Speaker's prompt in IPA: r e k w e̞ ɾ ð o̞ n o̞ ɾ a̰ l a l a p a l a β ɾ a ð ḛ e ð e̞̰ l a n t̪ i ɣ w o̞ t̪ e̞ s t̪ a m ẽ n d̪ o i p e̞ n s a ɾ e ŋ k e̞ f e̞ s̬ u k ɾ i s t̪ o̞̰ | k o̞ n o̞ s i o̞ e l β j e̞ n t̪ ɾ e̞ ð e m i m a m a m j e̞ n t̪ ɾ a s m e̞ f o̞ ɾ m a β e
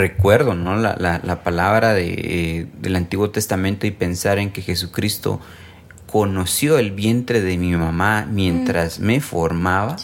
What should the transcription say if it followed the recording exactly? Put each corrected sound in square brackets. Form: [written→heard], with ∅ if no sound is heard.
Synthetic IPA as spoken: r e k w e̞ ɾ ð o̞ n o̞ [ɾ→l] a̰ l a l a p a l a β ɾ a ð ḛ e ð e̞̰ l a n t̪ i ɣ w o̞ t̪ e̞ s t̪ a m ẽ n [d̪→t̪] o i p e̞ n s a ɾ e ŋ k e̞ [f→x] e̞ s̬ u k ɾ i s t̪ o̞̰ | k o̞ n o̞ s [i→j] o̞ e l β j e̞ n t̪ ɾ e̞ ð e m i m a m a m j e̞ n t̪ ɾ a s m e̞ f o̞ ɾ m a β [e→a]